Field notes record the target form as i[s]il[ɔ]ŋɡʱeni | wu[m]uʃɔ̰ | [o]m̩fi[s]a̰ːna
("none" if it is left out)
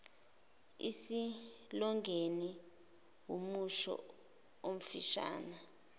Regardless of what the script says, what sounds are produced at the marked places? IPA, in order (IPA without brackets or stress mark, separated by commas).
s, ɔ, m, o, ʃ